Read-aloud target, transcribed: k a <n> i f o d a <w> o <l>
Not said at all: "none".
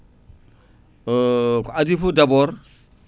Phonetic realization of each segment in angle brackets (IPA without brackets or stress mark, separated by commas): d, b, ɾ